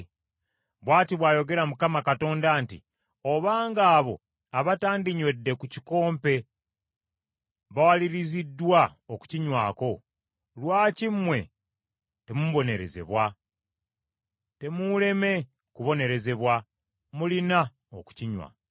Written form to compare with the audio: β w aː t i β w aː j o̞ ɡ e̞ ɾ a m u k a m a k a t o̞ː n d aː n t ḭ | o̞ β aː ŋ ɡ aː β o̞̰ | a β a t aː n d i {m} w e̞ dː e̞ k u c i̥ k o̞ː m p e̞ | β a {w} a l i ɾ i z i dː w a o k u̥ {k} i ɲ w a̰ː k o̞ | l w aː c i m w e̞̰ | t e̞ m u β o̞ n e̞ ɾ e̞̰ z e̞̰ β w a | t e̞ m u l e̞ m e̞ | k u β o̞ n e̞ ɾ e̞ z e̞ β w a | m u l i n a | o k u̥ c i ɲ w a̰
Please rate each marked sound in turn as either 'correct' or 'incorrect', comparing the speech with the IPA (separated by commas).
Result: incorrect, correct, incorrect